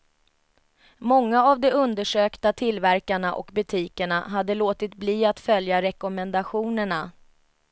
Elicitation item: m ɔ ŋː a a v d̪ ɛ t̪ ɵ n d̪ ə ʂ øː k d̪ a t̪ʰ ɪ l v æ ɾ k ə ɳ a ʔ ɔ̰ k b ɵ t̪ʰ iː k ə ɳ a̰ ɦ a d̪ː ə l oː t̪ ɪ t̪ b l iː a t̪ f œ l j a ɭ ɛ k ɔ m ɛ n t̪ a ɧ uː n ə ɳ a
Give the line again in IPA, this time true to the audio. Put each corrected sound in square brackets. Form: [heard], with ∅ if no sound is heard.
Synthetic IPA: m ɔ ŋː a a v d̪ ɛ [∅] ɵ n d̪ ə ʂ øː k [t̪] a t̪ʰ ɪ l v æ ɾ k [a] ɳ a ʔ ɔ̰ k b ɵ t̪ʰ iː k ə ɳ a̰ ɦ a d̪ː ə l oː t̪ ɪ t̪ b l iː a t̪ f œ l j a [ɾ] ɛ k ɔ m ɛ n [d̪] a ɧ uː n ə ɳ a